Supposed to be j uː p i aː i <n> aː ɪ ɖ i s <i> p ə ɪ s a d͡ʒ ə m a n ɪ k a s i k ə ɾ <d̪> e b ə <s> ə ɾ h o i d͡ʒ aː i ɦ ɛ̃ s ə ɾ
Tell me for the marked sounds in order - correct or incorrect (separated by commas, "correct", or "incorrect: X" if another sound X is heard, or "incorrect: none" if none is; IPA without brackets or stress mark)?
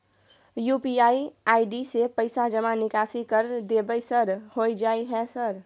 incorrect: none, incorrect: e, correct, correct